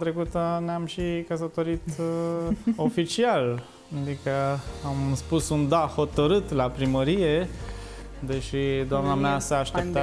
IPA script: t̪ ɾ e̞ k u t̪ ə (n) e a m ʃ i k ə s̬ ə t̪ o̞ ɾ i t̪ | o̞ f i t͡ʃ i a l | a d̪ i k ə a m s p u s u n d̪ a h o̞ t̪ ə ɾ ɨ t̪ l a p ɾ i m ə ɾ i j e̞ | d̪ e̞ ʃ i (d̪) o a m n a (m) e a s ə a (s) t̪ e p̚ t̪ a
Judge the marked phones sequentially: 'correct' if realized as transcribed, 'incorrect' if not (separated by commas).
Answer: correct, correct, correct, incorrect